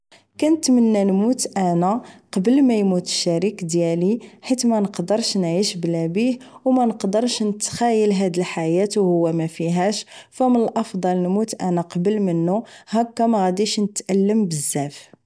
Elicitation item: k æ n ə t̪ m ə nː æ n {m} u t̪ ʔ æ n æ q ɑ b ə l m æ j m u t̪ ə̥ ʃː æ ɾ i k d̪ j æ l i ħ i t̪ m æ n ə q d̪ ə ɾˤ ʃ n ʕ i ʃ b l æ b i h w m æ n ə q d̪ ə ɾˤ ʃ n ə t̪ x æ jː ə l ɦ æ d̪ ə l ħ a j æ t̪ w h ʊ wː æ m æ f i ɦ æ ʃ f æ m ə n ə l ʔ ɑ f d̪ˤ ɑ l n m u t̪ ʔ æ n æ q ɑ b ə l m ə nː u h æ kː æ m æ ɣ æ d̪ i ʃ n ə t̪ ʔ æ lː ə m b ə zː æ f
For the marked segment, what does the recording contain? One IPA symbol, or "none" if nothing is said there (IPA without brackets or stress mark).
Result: m